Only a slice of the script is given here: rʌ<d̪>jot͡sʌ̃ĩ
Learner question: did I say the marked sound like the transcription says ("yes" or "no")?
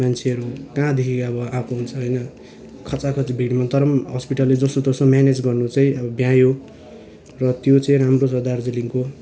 no